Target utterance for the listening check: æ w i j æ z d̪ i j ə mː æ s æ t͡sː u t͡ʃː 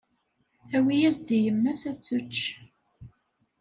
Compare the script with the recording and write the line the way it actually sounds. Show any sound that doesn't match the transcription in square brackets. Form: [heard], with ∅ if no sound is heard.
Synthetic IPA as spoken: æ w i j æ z d̪ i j ə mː æ s æ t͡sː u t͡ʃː